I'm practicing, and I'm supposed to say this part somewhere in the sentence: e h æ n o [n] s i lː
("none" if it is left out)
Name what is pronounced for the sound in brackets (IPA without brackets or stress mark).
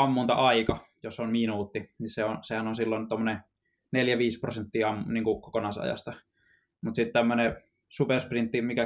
n